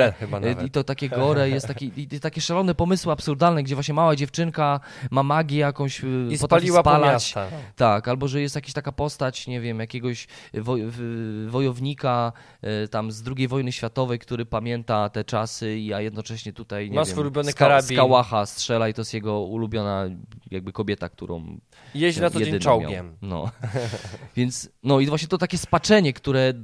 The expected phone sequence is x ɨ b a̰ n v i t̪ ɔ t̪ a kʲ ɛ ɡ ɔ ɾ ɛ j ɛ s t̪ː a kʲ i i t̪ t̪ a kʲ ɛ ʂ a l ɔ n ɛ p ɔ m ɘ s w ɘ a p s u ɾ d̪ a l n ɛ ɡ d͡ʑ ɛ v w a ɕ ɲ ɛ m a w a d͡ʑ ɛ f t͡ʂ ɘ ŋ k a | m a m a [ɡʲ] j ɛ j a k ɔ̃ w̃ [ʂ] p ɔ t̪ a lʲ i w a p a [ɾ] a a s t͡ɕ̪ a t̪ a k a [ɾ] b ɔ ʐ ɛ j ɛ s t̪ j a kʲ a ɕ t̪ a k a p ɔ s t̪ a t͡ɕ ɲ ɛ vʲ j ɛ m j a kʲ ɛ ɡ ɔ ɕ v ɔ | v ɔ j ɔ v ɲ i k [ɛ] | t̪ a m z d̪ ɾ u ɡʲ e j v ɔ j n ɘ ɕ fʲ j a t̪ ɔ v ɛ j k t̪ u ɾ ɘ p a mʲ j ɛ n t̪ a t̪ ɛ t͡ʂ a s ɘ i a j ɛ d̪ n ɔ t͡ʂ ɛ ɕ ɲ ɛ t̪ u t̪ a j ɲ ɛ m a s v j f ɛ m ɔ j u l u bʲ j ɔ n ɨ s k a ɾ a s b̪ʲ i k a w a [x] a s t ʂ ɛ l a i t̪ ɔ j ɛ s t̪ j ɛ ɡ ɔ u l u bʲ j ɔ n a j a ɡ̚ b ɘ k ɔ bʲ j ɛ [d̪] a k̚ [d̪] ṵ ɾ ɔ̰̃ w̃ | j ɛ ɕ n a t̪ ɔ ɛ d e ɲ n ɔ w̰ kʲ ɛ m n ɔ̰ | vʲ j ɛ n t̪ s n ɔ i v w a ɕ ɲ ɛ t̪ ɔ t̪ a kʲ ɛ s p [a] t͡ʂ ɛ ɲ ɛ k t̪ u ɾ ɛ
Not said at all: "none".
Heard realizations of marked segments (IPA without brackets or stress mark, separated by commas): ɡʲ, ɕ, l, l, a, x, t̪, t̪, a